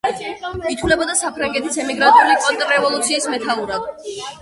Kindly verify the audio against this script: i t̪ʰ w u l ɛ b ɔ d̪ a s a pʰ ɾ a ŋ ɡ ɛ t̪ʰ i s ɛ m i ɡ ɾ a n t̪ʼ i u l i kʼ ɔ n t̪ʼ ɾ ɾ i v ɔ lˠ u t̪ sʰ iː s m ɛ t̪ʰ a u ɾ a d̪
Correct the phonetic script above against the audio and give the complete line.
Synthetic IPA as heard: i t̪ʰ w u l ɛ b ɔ d̪ a s a pʰ ɾ a ŋ ɡ ɛ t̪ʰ i s ɛ m i ɡ ɾ a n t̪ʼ i u l i kʼ ɔ n t̪ʼ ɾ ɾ ɛ v ɔ lˠ u t̪ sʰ iː s m ɛ t̪ʰ a u ɾ a d̪